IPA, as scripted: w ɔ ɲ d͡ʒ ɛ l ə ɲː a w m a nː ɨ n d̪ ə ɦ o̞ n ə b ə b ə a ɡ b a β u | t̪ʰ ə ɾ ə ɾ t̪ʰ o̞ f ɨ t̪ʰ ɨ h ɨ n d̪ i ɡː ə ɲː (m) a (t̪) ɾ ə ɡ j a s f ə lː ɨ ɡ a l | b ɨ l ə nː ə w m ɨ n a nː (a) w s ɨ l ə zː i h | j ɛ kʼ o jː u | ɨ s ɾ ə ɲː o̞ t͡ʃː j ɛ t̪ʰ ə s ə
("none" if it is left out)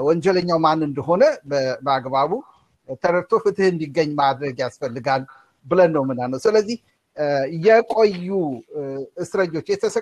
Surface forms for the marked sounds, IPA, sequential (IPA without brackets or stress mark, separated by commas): m, d̪, ə